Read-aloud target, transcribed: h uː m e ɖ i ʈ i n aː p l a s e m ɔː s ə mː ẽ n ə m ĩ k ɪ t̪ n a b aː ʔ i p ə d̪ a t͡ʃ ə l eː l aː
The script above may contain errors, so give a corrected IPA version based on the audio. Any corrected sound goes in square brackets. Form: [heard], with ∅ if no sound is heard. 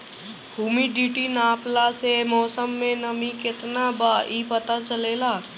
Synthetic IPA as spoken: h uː m [i] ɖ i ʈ i n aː p l a s e m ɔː s ə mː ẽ n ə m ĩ k ɪ t̪ n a b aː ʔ i p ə [t̪] a t͡ʃ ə l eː l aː